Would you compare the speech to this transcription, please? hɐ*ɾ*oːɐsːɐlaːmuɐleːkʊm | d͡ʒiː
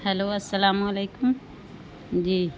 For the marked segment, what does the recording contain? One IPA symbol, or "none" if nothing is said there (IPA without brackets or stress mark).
l